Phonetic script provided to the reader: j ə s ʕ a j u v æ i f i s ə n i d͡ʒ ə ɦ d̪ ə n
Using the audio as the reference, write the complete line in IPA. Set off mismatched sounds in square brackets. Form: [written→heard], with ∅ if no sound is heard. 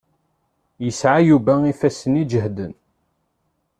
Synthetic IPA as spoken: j ə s ʕ a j u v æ i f [i→æ] s ə n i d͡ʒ ə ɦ d̪ ə n